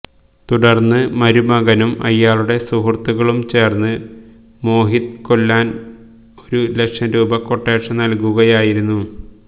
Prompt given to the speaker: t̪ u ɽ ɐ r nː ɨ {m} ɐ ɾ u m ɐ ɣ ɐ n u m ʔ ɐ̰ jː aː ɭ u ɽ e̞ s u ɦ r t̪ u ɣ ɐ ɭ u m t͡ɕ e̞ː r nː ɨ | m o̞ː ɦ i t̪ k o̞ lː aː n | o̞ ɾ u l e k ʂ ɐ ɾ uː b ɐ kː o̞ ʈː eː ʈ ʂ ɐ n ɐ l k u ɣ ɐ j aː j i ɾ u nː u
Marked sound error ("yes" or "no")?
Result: no